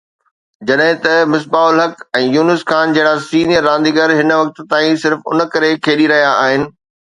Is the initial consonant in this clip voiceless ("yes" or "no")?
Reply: no